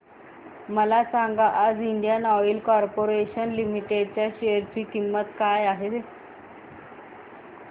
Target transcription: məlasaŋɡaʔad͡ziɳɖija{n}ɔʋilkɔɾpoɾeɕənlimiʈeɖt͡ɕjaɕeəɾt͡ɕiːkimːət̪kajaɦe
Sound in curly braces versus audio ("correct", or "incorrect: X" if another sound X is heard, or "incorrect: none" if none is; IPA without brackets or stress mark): correct